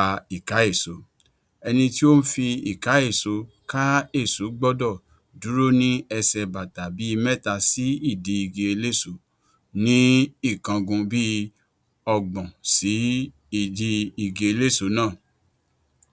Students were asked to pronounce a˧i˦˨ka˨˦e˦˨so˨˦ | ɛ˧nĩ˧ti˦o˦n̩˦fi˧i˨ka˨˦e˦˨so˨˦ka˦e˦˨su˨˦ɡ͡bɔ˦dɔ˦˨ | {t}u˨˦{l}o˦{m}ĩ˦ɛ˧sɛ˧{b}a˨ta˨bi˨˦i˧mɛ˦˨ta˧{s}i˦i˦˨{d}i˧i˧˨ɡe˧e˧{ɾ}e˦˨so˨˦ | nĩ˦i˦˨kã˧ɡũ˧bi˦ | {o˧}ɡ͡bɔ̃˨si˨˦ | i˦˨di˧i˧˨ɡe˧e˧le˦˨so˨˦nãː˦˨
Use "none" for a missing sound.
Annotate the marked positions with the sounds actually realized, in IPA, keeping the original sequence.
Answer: d, ɾ, n, b, s, d, l, ɔ˧

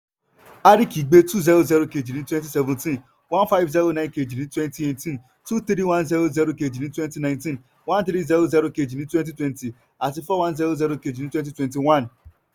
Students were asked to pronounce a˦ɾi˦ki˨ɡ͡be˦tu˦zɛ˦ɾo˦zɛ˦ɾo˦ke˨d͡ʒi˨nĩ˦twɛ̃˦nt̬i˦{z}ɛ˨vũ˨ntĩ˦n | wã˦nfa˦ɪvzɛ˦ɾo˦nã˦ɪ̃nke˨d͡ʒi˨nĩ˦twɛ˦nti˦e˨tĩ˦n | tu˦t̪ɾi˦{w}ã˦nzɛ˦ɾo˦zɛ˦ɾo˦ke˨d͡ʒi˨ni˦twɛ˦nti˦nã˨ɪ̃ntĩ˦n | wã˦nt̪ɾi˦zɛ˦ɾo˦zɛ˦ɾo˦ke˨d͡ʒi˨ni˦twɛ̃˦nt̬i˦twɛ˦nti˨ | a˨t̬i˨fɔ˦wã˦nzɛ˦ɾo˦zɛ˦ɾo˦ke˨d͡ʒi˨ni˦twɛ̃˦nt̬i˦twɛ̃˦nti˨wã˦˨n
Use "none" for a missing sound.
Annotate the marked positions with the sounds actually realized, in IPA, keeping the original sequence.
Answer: s, w

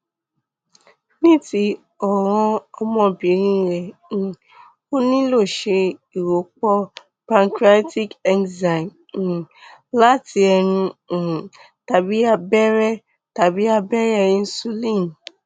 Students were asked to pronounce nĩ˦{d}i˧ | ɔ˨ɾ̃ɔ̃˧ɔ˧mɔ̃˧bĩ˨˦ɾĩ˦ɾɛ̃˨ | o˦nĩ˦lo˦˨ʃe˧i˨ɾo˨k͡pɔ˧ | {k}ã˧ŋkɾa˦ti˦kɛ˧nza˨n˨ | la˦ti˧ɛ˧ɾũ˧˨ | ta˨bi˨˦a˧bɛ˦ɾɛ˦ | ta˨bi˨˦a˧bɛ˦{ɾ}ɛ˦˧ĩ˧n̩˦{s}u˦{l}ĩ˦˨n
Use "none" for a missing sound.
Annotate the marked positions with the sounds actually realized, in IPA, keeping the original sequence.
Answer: t, p, ɾ, s, l

